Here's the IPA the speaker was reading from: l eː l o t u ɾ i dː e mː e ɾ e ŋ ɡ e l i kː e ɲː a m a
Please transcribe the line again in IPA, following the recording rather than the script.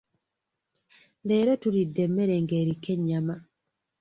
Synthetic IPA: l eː ɾ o t u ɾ i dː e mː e ɾ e ŋ ɡ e ɾ i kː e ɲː a m a